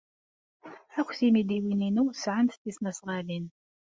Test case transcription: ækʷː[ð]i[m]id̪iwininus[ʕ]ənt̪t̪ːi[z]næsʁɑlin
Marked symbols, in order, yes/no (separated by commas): no, yes, yes, no